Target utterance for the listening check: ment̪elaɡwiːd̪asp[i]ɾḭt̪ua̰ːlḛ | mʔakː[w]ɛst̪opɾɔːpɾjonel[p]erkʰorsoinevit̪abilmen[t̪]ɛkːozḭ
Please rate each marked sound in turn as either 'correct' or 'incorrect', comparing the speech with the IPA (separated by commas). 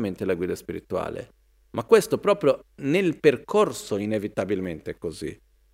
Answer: correct, correct, correct, correct